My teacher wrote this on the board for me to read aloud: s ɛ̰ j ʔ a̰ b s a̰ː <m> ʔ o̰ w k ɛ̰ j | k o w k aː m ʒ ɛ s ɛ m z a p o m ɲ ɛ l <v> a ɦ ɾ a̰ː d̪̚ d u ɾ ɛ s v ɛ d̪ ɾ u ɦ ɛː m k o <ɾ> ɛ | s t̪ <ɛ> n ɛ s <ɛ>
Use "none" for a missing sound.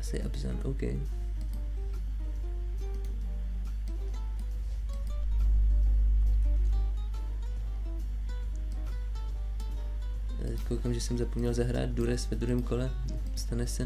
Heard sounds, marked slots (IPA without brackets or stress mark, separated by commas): n, z, l, a, ɛ